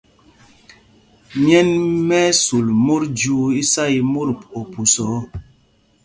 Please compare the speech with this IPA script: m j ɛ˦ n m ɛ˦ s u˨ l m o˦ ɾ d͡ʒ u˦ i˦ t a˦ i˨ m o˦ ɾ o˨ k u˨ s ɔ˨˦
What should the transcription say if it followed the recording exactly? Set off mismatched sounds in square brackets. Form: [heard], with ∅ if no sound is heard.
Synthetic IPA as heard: m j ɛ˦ n m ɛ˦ s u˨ l m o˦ ɾ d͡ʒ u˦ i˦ [s] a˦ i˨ m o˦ ɾ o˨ [p] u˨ s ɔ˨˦

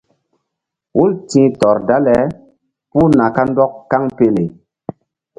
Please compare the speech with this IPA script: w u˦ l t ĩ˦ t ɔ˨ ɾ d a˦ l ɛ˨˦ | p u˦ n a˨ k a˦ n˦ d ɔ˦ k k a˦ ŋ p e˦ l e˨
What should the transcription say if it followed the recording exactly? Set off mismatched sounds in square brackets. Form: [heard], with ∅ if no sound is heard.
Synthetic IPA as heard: w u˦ l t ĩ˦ t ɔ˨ ɾ d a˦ l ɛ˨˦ | p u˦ n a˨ k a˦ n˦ d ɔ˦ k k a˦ ŋ p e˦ l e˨

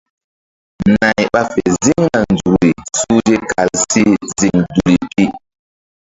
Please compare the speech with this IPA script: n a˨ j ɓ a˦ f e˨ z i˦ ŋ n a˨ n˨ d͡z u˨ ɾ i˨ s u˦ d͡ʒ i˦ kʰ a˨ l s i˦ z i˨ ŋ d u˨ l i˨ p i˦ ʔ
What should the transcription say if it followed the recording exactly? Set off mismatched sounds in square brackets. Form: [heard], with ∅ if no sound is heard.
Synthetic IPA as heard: n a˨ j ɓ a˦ f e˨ z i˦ ŋ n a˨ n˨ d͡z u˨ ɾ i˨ s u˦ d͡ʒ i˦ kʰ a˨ l s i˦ z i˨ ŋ d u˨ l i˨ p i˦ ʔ

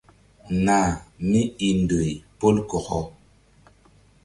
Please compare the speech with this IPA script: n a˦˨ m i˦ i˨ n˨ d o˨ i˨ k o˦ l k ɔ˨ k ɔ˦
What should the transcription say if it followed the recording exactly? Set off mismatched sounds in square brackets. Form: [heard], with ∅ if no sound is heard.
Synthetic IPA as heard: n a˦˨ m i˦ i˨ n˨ d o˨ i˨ [p] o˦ l k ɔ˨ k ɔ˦

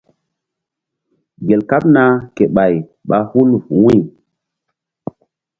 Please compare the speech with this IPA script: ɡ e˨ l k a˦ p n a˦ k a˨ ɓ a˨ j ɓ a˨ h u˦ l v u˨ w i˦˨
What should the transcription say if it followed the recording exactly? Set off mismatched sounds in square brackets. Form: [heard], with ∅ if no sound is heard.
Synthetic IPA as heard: ɡ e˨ l k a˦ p n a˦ k [e˨] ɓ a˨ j ɓ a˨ h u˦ l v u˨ w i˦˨

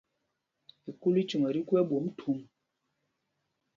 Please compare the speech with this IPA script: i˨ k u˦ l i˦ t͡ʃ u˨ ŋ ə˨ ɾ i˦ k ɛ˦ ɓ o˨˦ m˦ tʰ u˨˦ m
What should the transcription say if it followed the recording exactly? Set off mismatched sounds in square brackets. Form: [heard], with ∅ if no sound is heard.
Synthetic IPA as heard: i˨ k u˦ l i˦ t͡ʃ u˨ ŋ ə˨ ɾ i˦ k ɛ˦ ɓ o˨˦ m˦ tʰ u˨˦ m

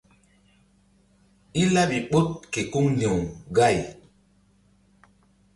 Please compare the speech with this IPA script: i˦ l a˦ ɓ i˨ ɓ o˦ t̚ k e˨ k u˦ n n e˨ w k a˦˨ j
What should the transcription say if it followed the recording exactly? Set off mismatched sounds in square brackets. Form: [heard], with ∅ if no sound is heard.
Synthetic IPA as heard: i˦ l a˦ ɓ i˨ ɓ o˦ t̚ k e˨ k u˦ [ŋ] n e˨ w [ɡ] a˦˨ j

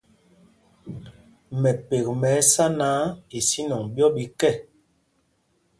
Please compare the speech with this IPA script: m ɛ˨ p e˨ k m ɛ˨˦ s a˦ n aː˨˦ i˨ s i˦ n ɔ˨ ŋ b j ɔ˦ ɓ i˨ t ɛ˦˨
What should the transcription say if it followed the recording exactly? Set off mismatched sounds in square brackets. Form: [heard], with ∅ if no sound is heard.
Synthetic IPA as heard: m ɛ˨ p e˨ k m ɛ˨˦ s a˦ n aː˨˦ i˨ s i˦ n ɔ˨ ŋ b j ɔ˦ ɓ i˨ [k] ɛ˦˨

